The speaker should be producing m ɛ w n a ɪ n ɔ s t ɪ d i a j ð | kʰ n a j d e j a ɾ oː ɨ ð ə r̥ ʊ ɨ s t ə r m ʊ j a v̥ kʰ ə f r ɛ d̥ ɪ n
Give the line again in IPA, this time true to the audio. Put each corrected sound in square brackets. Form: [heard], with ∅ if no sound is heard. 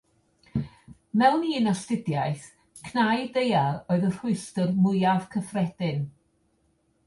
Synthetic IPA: m ɛ w n [i] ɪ n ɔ s t ɪ d [j] a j [θ] | kʰ n a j d e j a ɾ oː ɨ ð ə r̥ ʊ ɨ s t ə r m ʊ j a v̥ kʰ ə f r ɛ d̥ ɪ n